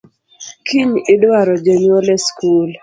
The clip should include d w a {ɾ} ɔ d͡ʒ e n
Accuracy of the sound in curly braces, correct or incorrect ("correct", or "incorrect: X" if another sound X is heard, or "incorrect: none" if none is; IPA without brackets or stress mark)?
correct